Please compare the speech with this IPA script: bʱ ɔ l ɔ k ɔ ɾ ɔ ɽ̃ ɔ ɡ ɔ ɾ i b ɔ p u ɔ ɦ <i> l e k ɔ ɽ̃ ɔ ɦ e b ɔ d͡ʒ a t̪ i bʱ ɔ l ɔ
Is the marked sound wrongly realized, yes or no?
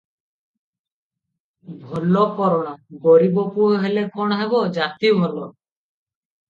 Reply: yes